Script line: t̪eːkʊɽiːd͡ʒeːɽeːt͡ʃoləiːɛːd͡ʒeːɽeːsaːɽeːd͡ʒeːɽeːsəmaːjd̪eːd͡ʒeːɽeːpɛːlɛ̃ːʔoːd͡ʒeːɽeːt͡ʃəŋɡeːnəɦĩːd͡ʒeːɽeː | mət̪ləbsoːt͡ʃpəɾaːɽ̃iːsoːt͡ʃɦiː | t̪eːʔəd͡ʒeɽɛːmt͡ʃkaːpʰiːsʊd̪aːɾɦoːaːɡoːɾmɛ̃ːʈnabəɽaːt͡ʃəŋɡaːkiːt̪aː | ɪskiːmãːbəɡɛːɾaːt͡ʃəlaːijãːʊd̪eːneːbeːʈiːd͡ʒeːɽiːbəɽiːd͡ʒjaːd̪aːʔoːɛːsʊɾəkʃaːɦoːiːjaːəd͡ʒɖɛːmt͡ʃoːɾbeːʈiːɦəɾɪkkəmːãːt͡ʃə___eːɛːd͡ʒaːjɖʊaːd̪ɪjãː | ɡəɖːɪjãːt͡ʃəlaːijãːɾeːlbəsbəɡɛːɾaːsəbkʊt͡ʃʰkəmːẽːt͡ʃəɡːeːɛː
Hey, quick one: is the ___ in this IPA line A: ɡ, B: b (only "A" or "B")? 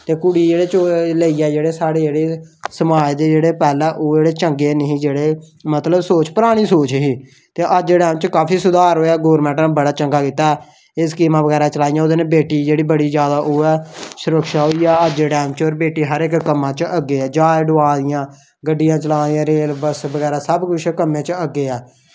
A